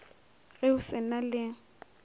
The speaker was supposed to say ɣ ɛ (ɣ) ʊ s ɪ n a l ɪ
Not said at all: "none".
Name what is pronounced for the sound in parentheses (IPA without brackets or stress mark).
none